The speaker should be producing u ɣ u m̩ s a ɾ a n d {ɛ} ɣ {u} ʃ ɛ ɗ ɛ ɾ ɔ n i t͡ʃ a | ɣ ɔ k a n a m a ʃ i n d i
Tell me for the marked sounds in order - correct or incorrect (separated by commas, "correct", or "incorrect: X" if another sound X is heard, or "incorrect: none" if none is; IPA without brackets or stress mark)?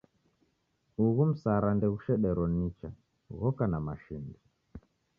correct, correct